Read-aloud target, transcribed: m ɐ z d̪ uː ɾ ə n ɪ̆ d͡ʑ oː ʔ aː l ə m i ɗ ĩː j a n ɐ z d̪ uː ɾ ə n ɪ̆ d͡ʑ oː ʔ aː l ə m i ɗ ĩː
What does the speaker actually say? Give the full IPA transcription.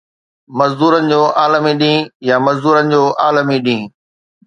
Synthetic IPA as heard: m ɐ z d̪ uː ɾ ə n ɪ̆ d͡ʑ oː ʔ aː l ə m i ɗ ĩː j a m ɐ z d̪ uː ɾ ə n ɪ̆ d͡ʑ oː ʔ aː l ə m i ɗ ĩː